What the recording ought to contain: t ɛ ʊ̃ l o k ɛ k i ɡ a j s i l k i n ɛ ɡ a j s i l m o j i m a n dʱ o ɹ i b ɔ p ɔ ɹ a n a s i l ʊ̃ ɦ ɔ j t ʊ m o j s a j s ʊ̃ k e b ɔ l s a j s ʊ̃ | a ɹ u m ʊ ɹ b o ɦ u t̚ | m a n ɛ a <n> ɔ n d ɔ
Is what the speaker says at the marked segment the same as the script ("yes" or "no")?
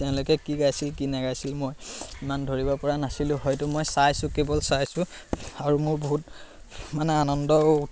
yes